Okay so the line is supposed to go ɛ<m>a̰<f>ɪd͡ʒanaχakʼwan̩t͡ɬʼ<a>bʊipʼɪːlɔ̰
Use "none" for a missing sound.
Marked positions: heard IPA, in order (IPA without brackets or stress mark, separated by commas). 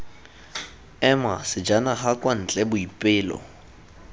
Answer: m, s, ɛ